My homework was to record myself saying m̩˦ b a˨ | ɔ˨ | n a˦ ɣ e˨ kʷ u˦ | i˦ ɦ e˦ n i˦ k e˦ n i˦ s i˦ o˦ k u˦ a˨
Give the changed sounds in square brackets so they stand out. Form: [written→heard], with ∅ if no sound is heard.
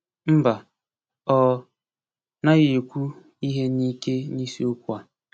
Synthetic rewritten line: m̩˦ b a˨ | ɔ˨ | n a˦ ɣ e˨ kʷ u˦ | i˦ ɦ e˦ n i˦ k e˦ n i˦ s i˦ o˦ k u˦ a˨